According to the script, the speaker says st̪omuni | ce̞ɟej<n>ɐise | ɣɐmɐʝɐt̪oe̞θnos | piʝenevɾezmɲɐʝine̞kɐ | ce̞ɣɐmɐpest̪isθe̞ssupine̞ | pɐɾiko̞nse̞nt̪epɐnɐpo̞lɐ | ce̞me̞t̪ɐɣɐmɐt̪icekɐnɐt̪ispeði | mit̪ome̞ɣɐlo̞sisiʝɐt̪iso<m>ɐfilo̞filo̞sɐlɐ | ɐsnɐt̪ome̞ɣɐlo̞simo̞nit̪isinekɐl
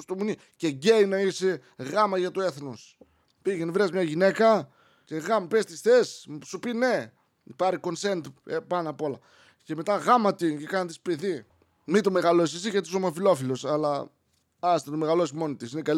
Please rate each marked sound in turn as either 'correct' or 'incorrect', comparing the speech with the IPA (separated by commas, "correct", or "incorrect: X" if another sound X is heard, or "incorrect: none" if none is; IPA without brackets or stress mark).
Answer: correct, correct